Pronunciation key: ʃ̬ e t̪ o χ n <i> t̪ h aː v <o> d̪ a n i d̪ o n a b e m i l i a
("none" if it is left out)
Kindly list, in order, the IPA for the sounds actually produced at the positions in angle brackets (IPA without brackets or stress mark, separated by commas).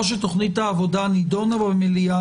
i, o